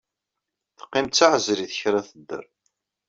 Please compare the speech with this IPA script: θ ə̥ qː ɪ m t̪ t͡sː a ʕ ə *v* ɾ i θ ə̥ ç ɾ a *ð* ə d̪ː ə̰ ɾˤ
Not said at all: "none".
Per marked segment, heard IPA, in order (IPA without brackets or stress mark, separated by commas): z, θ